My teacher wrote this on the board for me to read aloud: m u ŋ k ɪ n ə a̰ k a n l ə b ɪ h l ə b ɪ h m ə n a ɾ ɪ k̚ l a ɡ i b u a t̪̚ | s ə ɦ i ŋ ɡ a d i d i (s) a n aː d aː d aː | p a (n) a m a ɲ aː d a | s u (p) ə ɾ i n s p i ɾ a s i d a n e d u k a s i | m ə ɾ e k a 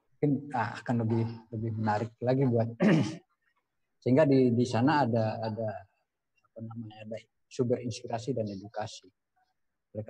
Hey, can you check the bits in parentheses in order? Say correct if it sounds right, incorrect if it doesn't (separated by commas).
correct, correct, incorrect